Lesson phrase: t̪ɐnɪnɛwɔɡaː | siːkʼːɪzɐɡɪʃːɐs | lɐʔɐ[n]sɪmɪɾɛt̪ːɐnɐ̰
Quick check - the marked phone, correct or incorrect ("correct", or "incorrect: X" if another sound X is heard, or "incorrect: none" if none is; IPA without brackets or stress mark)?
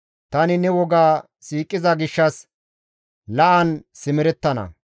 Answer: correct